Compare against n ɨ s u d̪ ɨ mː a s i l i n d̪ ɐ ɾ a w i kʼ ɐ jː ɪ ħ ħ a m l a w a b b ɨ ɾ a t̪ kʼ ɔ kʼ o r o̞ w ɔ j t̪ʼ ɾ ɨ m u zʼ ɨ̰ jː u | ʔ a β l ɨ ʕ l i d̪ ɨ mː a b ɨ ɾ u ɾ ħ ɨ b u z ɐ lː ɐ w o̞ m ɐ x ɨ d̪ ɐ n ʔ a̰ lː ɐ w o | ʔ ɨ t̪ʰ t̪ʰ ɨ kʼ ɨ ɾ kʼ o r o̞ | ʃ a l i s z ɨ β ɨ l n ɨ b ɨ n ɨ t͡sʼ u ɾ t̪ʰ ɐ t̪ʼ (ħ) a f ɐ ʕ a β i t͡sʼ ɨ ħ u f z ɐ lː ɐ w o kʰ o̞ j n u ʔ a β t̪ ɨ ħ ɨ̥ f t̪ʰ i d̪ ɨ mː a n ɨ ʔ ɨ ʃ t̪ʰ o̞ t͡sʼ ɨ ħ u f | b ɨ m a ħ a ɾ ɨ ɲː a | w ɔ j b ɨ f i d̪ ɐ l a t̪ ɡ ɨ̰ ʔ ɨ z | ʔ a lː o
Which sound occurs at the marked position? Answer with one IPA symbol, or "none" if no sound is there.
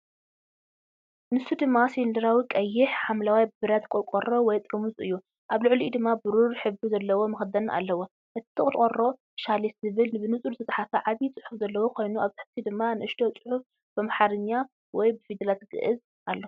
ħ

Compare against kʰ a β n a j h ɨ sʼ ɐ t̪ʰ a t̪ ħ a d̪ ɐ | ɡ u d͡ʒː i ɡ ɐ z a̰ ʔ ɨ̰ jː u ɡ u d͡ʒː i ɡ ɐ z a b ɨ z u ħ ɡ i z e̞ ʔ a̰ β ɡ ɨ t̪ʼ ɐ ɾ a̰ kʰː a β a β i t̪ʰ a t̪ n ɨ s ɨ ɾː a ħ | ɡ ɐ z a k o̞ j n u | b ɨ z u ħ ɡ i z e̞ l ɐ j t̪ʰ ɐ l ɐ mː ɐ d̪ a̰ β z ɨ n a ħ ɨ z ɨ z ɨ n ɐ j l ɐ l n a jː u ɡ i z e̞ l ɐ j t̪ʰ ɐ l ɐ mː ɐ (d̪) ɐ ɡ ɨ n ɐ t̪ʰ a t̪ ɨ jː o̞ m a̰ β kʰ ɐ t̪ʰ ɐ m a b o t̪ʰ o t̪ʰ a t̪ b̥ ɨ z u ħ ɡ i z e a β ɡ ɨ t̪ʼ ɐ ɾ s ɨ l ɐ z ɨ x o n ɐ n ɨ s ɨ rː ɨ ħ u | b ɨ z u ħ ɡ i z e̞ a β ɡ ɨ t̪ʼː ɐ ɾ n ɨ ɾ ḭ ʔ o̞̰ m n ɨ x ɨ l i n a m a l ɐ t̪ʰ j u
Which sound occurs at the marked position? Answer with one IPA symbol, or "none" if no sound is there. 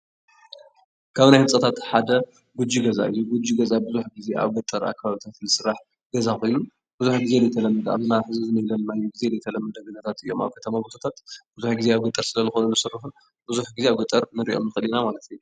d̪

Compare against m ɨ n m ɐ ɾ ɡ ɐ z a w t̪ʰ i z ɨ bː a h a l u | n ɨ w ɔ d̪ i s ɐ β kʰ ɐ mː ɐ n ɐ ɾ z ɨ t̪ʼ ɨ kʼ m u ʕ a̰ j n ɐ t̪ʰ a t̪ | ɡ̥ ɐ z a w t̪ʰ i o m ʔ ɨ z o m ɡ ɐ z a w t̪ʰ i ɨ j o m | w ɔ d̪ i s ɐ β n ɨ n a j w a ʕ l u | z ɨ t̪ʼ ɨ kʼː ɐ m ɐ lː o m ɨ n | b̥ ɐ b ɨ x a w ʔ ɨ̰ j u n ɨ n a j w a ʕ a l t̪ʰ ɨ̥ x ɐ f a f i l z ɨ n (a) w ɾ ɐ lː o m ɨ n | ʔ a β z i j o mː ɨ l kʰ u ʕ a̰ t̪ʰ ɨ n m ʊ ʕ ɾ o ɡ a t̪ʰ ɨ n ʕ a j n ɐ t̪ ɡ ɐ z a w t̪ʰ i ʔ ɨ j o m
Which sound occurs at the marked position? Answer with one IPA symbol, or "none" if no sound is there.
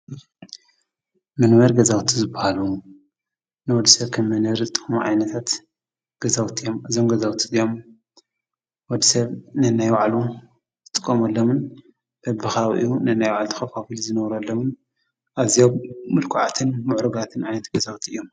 ɐ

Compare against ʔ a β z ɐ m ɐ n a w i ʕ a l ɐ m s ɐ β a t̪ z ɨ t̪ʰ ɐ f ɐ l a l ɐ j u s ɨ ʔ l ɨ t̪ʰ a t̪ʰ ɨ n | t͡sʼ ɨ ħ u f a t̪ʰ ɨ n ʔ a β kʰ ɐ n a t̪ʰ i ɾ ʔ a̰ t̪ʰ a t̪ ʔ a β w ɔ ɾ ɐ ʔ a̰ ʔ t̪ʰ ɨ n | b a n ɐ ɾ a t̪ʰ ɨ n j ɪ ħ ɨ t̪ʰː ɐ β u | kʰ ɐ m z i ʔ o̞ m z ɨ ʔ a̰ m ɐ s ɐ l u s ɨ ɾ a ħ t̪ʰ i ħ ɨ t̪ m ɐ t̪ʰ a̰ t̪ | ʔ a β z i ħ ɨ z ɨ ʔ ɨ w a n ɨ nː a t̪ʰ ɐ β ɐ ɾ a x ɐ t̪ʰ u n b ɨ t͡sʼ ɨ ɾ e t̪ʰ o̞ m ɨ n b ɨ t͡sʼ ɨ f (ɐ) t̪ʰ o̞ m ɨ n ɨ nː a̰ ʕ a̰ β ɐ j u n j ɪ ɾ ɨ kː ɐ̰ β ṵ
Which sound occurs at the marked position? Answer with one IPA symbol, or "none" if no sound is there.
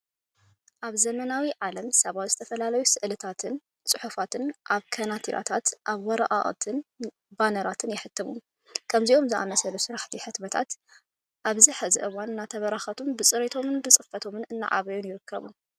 ɐ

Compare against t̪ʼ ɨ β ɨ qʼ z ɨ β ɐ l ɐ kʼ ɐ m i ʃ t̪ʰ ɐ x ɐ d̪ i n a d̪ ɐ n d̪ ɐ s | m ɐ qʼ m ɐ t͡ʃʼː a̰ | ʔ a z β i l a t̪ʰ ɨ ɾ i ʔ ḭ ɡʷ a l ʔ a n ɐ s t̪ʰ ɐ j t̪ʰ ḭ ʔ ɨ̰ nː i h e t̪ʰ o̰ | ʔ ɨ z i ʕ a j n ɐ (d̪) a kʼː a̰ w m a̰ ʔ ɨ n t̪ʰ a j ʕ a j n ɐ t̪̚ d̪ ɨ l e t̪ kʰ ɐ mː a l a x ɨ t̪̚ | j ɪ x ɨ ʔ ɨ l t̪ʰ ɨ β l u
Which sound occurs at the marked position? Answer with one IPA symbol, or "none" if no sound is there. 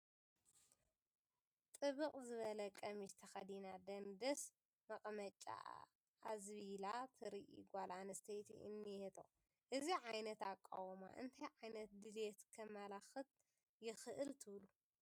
t̪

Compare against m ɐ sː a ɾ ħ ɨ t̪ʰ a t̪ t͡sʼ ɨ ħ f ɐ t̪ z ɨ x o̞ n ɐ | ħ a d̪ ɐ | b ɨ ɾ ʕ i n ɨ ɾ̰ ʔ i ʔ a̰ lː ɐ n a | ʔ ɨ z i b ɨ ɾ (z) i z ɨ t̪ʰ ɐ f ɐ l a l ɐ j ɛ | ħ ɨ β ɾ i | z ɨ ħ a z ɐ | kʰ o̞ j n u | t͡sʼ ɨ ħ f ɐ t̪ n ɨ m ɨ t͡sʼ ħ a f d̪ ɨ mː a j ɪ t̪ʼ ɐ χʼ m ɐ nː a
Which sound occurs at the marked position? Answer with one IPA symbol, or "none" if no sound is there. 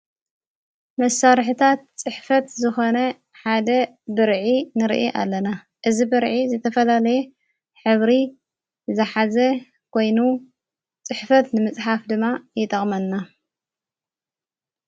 ʕ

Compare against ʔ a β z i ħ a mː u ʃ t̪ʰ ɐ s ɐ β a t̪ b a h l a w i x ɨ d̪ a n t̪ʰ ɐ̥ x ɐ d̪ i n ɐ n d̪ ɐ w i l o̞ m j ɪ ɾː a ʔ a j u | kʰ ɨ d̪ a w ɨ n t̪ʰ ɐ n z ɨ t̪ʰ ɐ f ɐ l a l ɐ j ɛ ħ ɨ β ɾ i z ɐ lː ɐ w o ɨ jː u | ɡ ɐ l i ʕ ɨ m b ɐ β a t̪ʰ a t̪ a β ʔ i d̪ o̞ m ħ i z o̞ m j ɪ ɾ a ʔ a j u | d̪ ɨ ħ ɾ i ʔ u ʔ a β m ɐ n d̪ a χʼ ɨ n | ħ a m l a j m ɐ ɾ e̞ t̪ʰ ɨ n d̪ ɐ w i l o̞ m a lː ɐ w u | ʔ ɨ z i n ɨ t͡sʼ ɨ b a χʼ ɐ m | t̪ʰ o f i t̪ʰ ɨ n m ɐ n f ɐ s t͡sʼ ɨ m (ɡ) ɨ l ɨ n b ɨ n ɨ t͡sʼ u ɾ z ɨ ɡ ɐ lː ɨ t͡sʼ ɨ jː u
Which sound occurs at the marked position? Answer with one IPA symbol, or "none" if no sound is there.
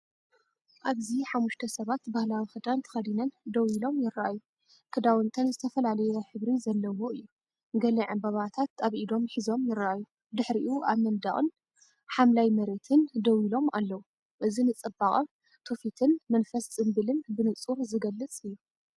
b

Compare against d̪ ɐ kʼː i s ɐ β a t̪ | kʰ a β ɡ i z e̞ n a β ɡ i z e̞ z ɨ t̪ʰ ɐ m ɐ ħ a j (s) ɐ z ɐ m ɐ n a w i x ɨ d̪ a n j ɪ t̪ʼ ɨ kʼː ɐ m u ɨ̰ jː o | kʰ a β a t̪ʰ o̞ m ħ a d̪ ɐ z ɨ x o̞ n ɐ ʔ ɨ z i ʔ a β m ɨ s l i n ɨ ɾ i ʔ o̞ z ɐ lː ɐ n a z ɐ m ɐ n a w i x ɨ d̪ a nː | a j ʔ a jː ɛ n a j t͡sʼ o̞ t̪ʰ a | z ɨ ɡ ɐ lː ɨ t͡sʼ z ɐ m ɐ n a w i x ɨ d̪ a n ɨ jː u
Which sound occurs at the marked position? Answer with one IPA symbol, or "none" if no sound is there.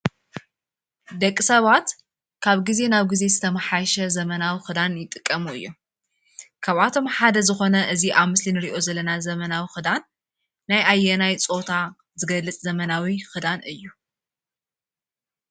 ʃ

